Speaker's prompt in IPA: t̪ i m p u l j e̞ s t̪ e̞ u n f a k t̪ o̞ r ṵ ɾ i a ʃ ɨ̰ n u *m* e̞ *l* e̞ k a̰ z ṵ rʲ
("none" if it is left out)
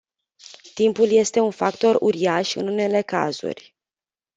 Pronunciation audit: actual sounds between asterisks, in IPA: n, l

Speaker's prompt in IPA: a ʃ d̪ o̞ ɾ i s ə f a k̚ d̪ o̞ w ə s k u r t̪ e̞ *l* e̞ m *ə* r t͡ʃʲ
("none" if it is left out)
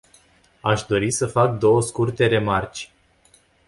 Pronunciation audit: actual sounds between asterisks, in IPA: ɾ, a

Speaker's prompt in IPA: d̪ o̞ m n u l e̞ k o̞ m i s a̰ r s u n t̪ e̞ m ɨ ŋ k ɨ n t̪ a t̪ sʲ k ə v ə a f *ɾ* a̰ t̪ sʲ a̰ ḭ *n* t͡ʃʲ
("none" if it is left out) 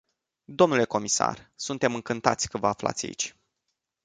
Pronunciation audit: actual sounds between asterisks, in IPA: l, none

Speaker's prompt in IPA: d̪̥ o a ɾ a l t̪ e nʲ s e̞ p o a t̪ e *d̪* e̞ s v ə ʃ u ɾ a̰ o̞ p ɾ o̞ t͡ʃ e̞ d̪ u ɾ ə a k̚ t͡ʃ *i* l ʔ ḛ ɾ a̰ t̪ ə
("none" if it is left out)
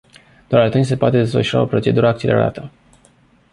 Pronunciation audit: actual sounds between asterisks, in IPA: d̪, e

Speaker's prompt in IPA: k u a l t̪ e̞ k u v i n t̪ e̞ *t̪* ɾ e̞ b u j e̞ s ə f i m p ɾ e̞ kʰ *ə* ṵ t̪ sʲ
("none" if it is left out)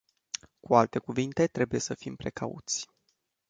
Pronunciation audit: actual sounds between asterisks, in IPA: t̪, a

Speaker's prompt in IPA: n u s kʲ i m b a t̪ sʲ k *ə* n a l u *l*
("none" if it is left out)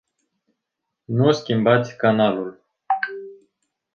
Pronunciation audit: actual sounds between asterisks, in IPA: a, l

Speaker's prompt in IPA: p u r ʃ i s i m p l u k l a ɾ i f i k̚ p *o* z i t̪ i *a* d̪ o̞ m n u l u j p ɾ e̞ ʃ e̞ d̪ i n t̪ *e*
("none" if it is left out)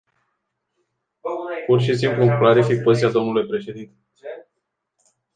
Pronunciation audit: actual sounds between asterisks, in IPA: o, a, e

